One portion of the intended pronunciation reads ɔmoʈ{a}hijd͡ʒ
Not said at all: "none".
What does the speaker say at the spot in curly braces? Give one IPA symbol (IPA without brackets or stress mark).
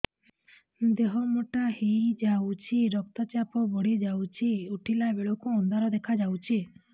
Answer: a